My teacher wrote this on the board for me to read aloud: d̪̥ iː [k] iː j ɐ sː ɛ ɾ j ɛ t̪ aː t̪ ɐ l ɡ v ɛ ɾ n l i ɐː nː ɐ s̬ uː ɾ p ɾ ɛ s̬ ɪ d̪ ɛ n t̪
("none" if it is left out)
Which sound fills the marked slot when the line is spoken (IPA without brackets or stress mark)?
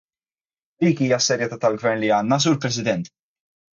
k